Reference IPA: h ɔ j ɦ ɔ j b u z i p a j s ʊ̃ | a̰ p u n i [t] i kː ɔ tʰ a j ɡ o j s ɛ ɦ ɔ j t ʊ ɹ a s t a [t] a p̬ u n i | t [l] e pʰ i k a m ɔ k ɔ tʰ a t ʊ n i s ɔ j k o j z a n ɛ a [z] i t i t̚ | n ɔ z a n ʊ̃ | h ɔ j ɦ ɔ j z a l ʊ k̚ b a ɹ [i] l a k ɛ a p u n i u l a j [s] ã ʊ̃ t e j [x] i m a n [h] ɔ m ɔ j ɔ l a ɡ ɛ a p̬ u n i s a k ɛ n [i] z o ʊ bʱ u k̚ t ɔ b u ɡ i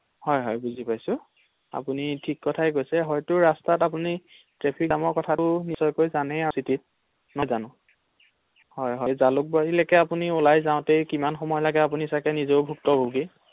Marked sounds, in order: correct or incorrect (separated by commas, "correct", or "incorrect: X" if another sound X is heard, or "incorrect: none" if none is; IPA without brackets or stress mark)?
incorrect: tʰ, correct, incorrect: ɹ, incorrect: s, correct, incorrect: z, incorrect: k, incorrect: x, correct